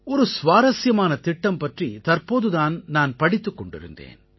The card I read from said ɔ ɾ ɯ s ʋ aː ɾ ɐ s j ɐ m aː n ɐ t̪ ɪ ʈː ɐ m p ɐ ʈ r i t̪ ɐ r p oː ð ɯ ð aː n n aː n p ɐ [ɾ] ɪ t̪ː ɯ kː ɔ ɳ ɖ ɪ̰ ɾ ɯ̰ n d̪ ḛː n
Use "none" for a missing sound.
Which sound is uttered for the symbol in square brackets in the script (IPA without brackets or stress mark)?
ɽ